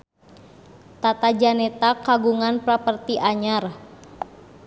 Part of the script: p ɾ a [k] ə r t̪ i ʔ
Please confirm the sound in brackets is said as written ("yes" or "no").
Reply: no